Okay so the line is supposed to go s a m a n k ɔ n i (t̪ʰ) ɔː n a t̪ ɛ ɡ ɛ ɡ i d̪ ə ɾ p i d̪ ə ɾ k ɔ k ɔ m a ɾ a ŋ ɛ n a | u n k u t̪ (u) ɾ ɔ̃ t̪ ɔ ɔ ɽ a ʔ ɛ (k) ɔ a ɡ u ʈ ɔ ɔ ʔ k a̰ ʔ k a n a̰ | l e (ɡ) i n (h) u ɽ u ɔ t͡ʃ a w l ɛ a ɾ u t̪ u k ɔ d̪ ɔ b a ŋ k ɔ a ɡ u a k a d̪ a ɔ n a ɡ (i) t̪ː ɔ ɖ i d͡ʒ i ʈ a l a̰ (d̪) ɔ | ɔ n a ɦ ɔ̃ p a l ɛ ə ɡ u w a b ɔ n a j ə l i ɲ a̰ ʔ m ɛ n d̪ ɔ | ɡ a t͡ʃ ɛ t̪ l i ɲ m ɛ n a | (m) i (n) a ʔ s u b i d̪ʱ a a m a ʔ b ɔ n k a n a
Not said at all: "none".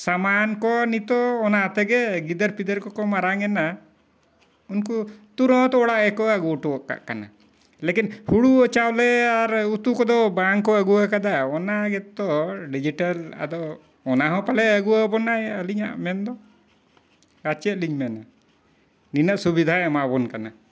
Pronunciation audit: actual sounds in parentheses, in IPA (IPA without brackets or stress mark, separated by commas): t̪, u, k, k, h, ɛ, d̪, n, n